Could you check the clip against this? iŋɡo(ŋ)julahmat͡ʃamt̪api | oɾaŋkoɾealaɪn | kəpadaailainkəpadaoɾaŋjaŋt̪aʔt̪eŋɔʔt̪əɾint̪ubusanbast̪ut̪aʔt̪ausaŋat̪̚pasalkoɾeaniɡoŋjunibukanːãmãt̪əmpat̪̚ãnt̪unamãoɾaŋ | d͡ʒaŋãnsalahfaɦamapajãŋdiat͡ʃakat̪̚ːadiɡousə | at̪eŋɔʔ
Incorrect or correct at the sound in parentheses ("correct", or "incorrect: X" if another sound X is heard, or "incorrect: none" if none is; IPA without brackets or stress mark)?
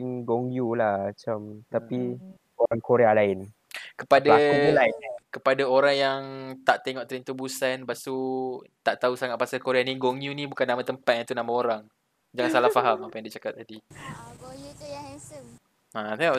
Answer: correct